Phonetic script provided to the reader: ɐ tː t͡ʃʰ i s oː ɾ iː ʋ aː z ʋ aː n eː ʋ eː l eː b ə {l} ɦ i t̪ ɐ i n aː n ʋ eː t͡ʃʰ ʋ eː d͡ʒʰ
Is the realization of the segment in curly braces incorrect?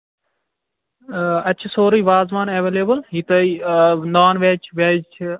no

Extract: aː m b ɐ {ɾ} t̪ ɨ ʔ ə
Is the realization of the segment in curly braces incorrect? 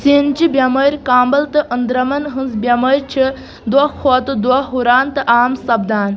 yes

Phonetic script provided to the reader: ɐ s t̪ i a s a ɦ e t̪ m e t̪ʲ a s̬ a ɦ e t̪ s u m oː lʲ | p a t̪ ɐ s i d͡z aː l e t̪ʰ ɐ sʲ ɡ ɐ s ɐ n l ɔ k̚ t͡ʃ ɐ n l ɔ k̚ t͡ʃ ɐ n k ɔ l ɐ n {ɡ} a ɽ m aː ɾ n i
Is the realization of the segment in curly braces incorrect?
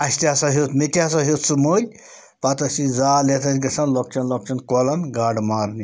no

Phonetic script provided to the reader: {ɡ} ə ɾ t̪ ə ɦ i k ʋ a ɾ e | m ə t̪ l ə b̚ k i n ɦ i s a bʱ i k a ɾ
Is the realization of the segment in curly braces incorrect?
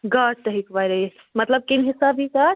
no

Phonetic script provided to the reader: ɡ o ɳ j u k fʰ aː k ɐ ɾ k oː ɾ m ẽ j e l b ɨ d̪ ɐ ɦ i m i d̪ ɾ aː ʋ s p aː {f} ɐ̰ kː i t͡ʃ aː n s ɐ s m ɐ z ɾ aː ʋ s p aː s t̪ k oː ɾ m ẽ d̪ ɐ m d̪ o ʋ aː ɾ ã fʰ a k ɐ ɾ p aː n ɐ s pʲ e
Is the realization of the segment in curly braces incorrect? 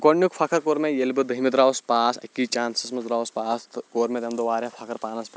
yes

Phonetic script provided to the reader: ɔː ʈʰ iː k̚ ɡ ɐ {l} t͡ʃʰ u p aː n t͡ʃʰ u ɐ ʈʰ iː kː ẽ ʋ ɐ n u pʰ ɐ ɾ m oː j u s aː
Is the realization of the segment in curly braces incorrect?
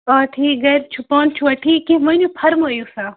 yes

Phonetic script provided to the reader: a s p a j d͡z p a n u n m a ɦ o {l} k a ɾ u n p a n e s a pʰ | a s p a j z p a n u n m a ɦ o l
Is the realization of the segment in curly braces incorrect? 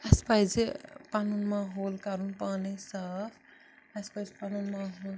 no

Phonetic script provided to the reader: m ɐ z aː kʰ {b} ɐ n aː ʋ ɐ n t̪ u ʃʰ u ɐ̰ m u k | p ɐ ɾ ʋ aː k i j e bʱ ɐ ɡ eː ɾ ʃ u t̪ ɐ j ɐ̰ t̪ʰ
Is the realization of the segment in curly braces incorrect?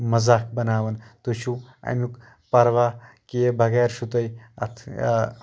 no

